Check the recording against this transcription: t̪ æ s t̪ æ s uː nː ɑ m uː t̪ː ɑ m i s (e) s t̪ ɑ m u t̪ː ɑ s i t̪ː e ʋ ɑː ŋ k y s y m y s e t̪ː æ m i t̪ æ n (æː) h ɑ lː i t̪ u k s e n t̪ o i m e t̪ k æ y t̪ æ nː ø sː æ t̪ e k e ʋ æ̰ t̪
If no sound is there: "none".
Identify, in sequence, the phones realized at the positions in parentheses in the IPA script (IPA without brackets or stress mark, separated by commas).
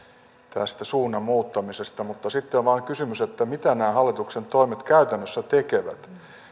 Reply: e, æː